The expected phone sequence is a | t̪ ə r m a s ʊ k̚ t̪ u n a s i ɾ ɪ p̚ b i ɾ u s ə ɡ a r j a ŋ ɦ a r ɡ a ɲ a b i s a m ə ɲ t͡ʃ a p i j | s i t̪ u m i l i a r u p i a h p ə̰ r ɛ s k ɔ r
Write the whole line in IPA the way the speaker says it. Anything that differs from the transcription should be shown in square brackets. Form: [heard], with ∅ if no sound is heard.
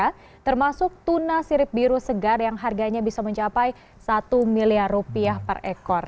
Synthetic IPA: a | t̪ ə r m a s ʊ k̚ t̪ u n a s i ɾ ɪ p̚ b i ɾ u s ə ɡ a r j a ŋ ɦ a r ɡ a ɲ a b i s a m ə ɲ t͡ʃ a p [a] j | s [a] t̪ u m i l i a r u p i a h p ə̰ r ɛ [∅] k ɔ r